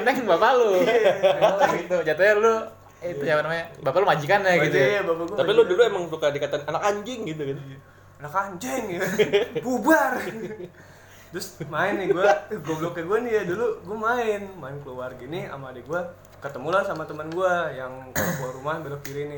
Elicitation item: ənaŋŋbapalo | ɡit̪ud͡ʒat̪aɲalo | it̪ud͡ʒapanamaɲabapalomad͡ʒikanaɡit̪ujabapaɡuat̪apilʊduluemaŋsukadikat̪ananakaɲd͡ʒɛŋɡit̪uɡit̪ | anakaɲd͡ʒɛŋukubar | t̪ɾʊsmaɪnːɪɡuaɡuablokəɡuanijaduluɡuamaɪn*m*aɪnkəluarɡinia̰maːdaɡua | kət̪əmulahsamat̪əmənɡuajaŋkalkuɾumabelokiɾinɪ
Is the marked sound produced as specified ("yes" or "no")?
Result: yes